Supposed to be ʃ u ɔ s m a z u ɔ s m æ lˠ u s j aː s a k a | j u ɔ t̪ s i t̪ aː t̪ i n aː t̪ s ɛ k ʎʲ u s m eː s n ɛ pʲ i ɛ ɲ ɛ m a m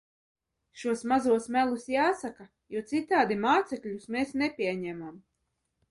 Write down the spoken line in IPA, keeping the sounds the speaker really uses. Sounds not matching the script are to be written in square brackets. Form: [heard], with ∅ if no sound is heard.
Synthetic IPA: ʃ u ɔ s m a z u ɔ s m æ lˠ u s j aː s a k a | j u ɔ t̪ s i t̪ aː [d̪] i [m] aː t̪ s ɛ k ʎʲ u s m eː s n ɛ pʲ i ɛ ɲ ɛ m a m